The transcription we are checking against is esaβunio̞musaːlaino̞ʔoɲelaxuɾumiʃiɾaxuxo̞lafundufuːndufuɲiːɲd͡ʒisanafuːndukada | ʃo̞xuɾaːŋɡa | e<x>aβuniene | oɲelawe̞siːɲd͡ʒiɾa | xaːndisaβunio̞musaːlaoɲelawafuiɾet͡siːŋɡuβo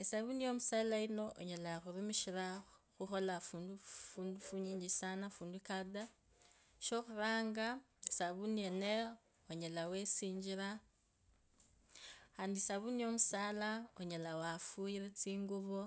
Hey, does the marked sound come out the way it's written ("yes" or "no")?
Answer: no